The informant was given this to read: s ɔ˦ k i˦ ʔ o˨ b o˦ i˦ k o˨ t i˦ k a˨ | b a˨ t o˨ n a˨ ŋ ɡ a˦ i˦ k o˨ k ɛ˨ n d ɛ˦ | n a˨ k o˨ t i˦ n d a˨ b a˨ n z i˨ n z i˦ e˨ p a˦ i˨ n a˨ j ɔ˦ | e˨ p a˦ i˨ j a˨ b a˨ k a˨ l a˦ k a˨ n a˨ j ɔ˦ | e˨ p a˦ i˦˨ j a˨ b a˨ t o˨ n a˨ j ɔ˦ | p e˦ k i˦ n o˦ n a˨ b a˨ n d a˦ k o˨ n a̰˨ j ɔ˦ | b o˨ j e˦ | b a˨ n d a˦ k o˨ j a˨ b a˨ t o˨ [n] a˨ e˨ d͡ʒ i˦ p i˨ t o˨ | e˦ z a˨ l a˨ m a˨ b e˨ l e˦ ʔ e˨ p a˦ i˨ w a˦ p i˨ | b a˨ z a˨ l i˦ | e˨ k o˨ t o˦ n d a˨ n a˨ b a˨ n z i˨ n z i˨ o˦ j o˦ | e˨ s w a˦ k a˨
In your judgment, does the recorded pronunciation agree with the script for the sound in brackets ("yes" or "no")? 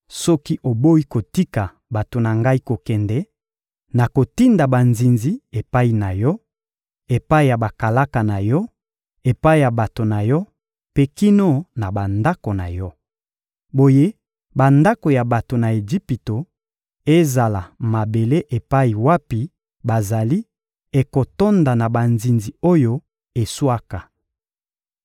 yes